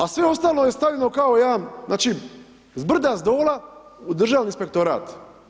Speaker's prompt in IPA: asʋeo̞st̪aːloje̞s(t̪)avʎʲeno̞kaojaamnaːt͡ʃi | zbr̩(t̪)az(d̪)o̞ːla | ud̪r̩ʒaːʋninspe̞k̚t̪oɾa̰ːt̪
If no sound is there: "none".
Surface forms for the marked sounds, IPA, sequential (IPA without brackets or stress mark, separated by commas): t̪, d̪, d̪